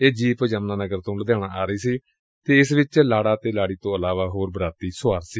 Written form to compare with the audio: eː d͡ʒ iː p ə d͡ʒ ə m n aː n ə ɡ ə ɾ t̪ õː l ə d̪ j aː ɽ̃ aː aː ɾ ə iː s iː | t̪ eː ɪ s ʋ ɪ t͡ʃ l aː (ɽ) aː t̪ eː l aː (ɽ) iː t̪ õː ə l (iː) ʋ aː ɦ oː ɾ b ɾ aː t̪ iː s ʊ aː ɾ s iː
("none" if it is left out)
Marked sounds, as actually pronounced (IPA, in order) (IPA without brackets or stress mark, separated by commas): ɽ, ɽ, aː